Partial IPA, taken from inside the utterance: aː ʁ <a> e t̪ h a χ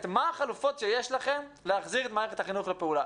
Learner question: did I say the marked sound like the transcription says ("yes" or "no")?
no